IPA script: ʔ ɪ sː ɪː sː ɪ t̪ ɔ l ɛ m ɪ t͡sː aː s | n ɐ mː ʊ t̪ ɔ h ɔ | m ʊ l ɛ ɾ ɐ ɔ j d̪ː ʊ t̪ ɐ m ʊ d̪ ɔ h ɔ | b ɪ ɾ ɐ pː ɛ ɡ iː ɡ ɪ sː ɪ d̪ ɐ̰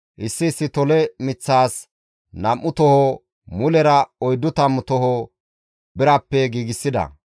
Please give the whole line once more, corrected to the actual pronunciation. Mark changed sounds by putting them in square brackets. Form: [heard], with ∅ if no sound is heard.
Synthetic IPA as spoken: ʔ ɪ sː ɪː sː ɪ t̪ ɔ l ɛ m ɪ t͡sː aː s | n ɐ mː ʊ t̪ ɔ h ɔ | m ʊ l ɛ ɾ ɐ ɔ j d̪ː ʊ t̪ ɐ m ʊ [t̪] ɔ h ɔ | b ɪ ɾ ɐ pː ɛ ɡ iː ɡ ɪ sː ɪ d̪ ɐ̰